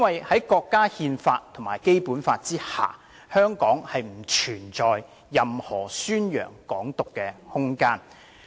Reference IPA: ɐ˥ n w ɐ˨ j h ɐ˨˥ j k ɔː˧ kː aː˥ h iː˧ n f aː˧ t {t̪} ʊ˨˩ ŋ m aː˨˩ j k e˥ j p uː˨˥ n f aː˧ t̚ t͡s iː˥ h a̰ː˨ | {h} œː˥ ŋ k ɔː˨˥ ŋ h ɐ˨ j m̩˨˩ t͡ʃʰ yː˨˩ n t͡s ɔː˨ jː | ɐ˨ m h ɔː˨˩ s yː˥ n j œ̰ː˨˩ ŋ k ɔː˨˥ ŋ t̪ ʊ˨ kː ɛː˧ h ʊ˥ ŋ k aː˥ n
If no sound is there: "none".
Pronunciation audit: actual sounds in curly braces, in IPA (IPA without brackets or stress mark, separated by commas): t̪ʰ, h